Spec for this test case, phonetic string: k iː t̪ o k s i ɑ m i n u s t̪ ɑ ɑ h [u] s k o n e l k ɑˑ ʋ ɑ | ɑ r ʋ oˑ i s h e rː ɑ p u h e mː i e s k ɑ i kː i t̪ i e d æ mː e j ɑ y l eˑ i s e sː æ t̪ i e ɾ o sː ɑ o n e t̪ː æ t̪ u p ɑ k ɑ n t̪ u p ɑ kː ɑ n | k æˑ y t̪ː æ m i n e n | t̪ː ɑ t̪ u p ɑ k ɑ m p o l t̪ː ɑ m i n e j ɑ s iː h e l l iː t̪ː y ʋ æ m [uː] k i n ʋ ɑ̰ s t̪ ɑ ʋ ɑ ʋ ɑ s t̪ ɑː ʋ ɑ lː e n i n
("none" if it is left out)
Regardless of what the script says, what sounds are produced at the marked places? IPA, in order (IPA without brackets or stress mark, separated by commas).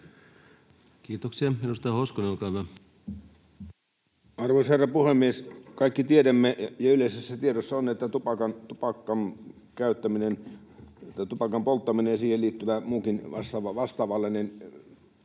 o, uː